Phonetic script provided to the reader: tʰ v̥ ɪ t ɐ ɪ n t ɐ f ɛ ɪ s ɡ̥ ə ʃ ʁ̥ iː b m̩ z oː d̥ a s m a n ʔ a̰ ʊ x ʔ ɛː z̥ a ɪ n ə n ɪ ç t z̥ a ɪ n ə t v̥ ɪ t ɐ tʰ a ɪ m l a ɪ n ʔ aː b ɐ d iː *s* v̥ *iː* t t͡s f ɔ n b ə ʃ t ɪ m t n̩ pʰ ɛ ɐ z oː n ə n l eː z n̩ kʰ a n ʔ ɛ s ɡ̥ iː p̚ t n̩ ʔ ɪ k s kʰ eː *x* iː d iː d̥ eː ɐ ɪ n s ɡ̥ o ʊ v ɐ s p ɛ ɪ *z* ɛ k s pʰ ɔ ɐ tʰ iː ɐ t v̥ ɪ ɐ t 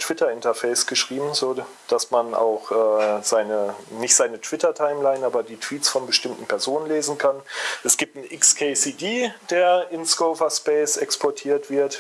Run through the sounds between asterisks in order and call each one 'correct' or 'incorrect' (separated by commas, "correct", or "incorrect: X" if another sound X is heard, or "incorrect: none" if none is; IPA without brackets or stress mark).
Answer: incorrect: t, correct, incorrect: s, incorrect: s